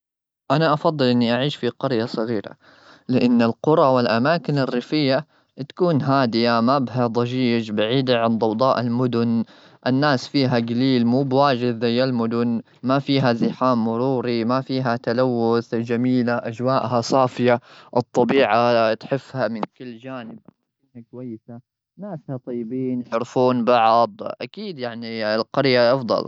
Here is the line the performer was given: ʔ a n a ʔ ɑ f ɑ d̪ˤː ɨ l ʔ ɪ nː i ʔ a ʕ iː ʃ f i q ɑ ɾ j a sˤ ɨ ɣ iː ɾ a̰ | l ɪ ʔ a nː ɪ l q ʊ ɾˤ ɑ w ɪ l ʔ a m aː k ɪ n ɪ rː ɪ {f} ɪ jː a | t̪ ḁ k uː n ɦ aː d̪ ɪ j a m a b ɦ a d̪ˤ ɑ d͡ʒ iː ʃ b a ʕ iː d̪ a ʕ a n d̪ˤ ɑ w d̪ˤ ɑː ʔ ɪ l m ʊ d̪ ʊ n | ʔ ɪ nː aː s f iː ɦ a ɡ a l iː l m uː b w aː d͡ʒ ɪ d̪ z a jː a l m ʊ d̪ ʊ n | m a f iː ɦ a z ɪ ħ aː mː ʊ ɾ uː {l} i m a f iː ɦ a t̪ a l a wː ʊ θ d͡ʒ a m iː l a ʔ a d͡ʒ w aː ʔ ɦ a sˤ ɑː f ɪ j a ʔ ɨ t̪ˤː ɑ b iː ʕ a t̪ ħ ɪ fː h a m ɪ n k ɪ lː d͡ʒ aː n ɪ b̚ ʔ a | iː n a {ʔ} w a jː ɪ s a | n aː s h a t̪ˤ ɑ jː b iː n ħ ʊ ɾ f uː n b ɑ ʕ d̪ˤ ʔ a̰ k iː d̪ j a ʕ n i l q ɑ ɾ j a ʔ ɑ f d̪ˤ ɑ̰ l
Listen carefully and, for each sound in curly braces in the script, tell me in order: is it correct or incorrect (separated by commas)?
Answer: correct, incorrect, incorrect